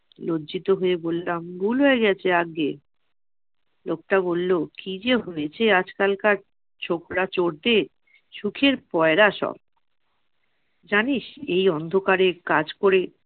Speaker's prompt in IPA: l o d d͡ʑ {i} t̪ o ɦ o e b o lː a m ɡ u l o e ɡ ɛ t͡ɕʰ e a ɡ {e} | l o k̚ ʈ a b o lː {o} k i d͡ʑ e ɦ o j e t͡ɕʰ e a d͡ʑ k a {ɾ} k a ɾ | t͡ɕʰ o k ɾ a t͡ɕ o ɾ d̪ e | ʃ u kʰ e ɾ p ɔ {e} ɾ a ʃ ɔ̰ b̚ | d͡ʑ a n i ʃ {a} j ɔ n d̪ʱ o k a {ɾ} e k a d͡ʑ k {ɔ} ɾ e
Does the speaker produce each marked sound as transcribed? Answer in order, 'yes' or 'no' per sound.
yes, yes, yes, no, yes, no, yes, no

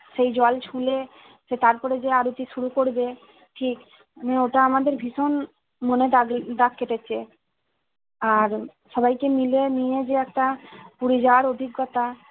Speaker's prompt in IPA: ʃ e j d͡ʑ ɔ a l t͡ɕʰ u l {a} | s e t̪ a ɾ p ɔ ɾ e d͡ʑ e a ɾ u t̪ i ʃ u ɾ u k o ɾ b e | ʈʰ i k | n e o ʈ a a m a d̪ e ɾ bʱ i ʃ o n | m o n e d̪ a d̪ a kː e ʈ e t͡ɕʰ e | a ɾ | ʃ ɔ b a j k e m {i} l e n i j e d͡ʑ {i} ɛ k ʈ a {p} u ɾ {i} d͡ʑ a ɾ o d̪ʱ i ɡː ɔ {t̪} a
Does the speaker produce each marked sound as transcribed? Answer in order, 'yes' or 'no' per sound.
no, yes, no, yes, yes, yes

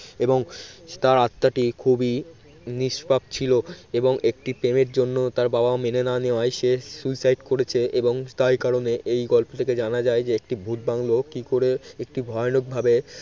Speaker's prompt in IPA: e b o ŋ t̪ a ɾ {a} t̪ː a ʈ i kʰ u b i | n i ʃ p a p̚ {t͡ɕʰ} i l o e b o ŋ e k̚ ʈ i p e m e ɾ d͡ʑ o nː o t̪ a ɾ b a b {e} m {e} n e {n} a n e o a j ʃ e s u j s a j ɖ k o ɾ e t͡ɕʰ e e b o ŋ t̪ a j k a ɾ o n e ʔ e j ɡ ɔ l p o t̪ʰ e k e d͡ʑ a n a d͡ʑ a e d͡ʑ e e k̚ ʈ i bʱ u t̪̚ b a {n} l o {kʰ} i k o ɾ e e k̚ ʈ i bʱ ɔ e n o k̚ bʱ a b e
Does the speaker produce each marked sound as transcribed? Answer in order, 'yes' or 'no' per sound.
yes, yes, no, yes, yes, no, no

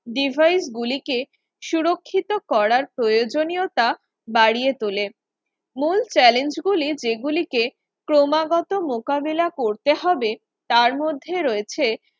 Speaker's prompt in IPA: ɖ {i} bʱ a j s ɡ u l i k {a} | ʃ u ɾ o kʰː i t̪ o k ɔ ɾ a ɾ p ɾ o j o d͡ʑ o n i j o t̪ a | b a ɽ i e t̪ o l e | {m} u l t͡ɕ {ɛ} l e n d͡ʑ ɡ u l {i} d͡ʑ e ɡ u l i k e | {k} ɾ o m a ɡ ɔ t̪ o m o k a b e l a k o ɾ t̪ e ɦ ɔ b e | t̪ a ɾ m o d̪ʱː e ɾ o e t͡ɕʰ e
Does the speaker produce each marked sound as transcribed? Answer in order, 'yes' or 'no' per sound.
yes, no, yes, yes, yes, yes

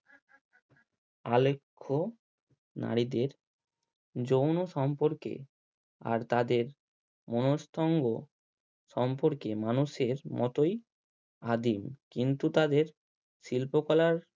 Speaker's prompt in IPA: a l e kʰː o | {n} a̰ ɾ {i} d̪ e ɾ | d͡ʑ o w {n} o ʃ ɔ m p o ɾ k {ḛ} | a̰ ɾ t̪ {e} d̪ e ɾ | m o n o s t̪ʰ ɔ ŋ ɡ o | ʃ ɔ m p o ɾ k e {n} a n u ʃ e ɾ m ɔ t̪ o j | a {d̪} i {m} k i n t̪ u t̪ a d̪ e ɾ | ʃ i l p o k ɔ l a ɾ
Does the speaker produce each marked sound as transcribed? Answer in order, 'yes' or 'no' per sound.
yes, yes, yes, yes, no, no, yes, yes

